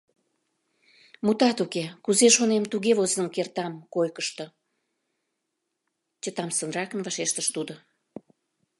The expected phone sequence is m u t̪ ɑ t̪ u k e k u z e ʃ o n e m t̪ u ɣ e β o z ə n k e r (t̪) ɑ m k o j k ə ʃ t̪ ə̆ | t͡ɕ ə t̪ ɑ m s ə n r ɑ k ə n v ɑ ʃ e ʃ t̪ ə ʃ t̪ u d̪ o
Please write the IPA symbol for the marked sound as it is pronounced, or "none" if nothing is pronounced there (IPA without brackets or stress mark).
t̪